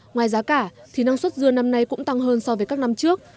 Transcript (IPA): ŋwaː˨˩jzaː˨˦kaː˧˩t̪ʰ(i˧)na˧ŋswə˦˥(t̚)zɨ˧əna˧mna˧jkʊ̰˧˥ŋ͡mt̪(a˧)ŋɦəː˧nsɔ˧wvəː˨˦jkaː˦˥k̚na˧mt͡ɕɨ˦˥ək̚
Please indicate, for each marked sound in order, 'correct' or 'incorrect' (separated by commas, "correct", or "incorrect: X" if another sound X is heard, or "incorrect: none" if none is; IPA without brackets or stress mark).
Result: incorrect: i˨˩, correct, correct